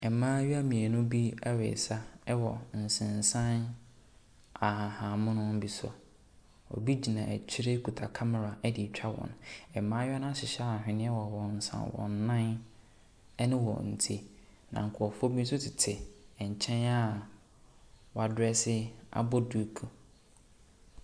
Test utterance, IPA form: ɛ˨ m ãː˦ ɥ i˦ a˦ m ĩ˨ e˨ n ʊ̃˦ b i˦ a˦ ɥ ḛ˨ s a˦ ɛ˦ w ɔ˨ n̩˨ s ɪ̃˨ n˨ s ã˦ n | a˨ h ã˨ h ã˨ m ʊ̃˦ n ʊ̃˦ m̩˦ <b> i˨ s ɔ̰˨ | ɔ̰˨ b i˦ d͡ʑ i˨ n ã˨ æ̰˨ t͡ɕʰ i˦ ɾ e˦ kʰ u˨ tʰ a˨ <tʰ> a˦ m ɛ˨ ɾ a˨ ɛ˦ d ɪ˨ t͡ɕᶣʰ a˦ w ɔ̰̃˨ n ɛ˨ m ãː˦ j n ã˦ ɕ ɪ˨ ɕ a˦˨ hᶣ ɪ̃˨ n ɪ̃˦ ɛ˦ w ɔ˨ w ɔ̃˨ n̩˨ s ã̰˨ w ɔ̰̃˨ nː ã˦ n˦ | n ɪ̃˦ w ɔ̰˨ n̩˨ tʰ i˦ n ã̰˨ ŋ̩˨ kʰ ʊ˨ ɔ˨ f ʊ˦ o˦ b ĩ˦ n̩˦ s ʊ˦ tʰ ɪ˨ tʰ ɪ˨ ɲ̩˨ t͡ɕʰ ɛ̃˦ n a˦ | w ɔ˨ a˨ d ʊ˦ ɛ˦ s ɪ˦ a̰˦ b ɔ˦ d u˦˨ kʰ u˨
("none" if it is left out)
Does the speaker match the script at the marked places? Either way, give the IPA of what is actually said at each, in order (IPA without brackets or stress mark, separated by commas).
b, kʰ